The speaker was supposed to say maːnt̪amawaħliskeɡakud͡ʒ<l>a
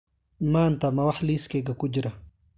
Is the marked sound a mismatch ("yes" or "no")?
yes